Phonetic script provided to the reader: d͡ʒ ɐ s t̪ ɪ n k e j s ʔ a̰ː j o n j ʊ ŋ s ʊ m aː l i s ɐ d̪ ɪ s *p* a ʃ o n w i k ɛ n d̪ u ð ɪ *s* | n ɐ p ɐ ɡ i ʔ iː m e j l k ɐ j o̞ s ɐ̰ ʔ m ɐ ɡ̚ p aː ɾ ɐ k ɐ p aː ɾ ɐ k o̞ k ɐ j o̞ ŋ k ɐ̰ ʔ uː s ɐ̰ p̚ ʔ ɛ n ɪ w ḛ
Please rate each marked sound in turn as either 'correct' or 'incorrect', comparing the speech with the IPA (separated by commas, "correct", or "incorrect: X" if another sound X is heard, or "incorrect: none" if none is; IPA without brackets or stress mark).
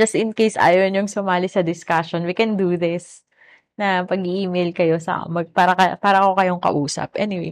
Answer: incorrect: k, correct